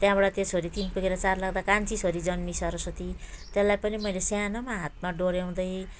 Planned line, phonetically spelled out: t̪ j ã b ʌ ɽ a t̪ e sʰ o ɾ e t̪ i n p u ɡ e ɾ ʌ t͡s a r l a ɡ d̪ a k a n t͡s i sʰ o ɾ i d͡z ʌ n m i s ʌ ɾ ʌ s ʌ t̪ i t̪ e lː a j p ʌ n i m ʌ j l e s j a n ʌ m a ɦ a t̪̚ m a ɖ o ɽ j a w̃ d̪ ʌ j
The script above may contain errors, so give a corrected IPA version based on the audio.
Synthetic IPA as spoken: t̪ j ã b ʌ ɽ a t̪ e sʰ o ɾ i t̪ i n p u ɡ e ɾ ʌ t͡s a r l a ɡ d̪ a k a n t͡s i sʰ o ɾ i d͡z ʌ n m i s ʌ ɾ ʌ s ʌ t̪ i t̪ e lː a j p ʌ n i m ʌ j l e s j a n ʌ m a ɦ a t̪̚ m a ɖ o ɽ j a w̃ d̪ ʌ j